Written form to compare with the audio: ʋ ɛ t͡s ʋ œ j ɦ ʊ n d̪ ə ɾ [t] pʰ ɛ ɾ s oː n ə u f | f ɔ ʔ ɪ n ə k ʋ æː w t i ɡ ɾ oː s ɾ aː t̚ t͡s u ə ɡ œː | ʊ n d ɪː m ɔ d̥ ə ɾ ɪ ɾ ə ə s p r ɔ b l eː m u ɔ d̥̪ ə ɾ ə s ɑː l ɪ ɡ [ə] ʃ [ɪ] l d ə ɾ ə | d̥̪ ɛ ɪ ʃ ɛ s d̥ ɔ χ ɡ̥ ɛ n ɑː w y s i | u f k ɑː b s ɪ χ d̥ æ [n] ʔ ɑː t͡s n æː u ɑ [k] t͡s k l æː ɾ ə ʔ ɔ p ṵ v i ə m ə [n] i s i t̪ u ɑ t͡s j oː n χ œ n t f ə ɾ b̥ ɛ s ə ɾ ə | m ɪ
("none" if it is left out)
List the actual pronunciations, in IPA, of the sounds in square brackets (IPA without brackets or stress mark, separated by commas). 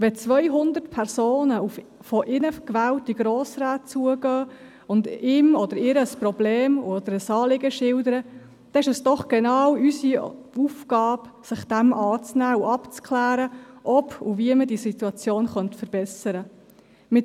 t, ə, ɪ, m, p, d